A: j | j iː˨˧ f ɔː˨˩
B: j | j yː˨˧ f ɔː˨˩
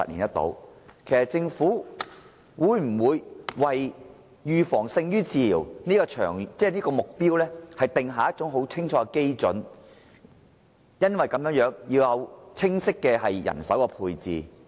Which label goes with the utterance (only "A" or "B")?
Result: B